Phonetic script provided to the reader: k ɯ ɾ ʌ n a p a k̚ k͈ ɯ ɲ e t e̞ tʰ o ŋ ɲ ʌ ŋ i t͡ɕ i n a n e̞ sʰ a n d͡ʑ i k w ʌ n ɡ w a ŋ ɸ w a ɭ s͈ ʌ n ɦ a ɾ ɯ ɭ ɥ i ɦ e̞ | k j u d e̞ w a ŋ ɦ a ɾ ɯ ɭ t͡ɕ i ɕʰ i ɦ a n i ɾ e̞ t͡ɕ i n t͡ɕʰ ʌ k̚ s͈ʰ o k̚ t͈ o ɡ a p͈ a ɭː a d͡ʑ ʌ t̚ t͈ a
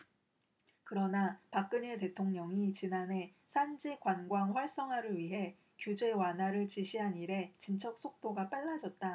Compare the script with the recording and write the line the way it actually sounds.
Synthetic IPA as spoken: k ɯ ɾ ʌ n a p a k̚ k͈ ɯ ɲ e t e̞ tʰ o ŋ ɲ ʌ ŋ i t͡ɕ i n a n e̞ sʰ a n d͡ʑ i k w a n ɡ w a ŋ ɸ w a ɭ s͈ ʌ ŋ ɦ a ɾ ɯ ɭ ɥ i ɦ e̞ | k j u d͡ʑ e̞ w a n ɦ a ɾ ɯ ɭ t͡ɕ i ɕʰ i ɦ a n i ɾ e̞ t͡ɕ i n t͡ɕʰ ʌ k̚ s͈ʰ o k̚ t͈ o ɡ a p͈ a ɭː a d͡ʑ ʌ t̚ t͈ a